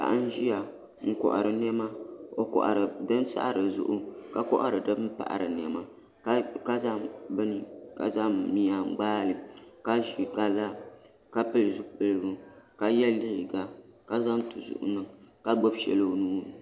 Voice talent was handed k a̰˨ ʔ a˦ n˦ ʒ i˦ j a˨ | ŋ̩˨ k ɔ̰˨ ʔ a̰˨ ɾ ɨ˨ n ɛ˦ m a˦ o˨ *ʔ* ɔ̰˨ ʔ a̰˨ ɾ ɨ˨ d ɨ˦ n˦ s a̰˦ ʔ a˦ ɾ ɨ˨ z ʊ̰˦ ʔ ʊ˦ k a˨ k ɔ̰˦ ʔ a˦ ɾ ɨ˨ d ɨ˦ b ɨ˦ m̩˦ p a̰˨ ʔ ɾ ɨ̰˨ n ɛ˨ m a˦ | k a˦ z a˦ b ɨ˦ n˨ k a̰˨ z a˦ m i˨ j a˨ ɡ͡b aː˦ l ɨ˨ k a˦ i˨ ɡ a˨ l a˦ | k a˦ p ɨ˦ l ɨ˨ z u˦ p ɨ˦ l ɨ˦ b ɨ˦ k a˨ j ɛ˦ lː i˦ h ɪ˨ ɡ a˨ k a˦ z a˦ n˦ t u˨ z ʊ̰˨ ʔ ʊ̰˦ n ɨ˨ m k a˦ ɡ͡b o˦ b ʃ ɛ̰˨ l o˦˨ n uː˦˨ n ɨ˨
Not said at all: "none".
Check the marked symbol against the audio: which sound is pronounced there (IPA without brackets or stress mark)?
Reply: k